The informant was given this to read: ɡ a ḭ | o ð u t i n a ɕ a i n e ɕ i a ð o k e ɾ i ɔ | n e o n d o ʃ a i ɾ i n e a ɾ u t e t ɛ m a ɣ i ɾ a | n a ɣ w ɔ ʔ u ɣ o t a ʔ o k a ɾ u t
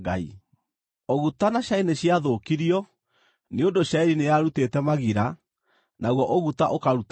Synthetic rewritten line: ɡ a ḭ | o ɣ u t a n a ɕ a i n e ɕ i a ð o k i ɾ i ɔ | n e o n d o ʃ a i ɾ i n e a ɾ u t e t ɛ m a ɣ i ɾ a | n a ɣ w ɔ ʔ o ɣ u t a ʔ o k a ɾ u t